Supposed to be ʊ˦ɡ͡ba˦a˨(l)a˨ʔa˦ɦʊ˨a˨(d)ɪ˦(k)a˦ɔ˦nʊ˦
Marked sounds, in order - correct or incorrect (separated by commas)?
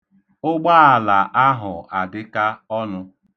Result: correct, correct, correct